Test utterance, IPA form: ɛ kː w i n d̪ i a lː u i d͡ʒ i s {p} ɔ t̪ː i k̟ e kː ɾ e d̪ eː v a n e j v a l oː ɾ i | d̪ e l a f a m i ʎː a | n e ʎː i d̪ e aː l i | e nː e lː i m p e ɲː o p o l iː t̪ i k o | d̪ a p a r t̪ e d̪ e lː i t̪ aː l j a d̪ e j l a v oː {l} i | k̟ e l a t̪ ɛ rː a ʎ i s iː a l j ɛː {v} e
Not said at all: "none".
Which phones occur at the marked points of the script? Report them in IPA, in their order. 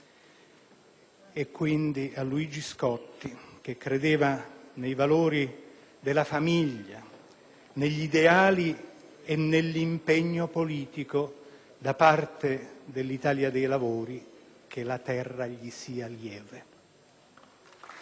k, ɾ, v

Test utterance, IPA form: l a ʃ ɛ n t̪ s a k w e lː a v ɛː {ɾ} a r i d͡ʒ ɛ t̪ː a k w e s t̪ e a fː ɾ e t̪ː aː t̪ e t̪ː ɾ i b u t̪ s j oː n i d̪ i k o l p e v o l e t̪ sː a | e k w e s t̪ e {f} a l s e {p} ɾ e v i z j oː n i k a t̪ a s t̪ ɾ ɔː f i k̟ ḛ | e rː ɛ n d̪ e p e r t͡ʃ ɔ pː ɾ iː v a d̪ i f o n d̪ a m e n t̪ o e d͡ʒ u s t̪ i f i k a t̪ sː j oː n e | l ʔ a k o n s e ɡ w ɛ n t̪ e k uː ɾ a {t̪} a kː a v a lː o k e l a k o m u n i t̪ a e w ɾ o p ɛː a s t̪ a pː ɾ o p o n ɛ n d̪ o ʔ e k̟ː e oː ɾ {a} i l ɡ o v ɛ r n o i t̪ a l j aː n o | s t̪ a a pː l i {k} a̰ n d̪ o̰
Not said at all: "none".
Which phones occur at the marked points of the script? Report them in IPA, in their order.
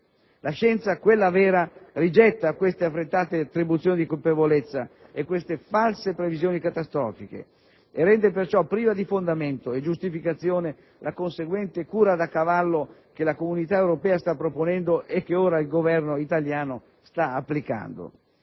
ɾ, f, p, d̪, a, k

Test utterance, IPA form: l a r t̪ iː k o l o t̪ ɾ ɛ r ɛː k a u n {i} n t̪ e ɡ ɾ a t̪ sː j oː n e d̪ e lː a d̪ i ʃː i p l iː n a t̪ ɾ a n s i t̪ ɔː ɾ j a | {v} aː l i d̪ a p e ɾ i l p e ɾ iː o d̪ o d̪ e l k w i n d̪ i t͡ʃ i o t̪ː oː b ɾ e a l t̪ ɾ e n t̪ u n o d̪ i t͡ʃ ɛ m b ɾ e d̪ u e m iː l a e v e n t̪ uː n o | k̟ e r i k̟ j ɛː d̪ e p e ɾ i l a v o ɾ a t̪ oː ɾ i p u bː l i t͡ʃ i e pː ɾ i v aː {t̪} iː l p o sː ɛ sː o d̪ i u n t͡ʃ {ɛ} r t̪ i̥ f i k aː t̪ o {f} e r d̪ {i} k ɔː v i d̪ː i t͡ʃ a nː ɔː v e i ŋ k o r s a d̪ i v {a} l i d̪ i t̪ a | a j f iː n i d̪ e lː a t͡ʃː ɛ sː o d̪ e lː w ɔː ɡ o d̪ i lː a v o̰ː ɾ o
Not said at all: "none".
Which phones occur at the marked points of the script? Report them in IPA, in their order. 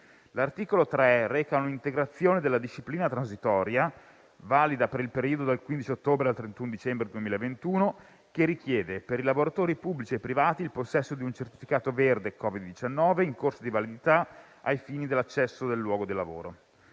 i, v, t̪, e, v, e, a

